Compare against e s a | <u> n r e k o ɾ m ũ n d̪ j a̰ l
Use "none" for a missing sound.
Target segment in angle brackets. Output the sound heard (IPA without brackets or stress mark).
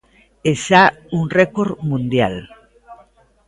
u